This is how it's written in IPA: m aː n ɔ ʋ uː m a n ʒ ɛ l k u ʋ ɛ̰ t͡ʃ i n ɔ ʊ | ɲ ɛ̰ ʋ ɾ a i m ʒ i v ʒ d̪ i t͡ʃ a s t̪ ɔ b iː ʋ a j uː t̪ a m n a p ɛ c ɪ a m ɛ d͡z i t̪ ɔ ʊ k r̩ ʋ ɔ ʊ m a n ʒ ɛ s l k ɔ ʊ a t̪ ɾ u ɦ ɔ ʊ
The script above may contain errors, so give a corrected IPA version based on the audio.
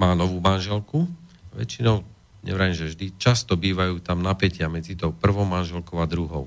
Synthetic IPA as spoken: m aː n ɔ ʋ uː m a n ʒ ɛ l k u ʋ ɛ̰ t͡ʃ i n ɔ ʊ | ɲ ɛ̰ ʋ ɾ a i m ʒ ɛ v ʒ d̪ i t͡ʃ a s t̪ ɔ b iː ʋ a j uː t̪ a m n a p ɛ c ɪ a m ɛ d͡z i t̪ ɔ ʊ p r̩ ʋ ɔ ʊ m a n ʒ ɛ l k ɔ ʊ a d̪ ɾ u ɦ ɔ ʊ